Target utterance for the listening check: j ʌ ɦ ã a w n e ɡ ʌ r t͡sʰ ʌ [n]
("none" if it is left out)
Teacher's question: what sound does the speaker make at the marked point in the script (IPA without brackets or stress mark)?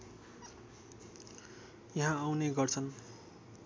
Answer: n